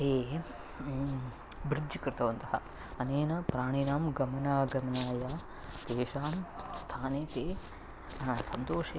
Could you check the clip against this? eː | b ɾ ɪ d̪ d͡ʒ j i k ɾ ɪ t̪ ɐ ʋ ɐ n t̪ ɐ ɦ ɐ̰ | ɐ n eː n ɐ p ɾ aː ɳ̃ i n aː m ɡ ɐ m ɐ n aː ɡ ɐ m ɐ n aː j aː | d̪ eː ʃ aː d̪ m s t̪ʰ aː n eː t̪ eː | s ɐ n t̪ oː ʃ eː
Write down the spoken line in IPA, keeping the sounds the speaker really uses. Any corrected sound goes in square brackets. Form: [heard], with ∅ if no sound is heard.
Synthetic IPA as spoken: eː | b ɾ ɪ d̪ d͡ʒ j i k ɾ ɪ t̪ ɐ ʋ ɐ n t̪ ɐ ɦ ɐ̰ | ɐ n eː n ɐ p ɾ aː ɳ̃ i n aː m ɡ ɐ m ɐ n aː ɡ ɐ m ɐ n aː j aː | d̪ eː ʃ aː [∅] m s t̪ʰ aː n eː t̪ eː | s ɐ n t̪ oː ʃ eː